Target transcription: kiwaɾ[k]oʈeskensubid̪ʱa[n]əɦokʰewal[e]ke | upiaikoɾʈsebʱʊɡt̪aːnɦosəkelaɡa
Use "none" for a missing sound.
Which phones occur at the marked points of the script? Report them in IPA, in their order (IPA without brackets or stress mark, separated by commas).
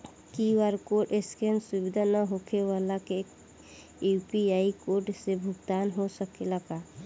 k, n, a